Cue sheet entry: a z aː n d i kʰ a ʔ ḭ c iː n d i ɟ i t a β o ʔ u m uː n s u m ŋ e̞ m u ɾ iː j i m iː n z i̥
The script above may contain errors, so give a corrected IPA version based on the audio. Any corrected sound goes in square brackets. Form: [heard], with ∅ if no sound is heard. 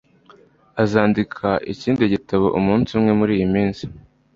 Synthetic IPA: a z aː n d i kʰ a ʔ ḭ c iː n d i ɟ i t a β o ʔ u m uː n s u m ŋ e̞ m u ɾ iː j i m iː n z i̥